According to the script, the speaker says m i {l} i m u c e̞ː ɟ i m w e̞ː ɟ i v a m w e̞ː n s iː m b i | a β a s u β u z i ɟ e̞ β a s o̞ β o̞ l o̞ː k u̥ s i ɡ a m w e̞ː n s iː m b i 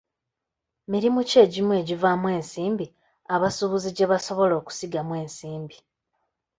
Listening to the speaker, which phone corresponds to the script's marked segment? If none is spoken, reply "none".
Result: ɾ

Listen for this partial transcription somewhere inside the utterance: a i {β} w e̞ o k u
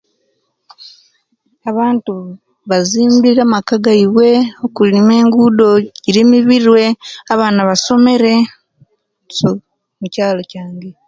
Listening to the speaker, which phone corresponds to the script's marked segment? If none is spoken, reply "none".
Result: β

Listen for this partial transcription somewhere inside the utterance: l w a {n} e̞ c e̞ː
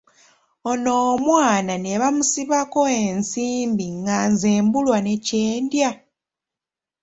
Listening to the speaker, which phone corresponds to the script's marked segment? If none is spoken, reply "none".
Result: n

